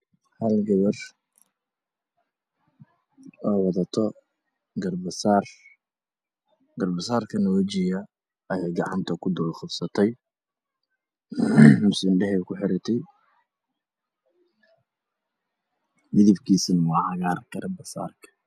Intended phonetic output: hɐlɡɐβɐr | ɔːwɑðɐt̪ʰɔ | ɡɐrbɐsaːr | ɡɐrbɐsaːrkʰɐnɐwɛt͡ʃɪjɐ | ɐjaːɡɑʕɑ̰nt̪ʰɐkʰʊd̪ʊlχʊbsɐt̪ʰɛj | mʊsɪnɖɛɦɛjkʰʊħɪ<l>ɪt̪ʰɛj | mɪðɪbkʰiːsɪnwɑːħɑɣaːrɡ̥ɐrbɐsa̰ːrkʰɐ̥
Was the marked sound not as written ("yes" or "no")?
yes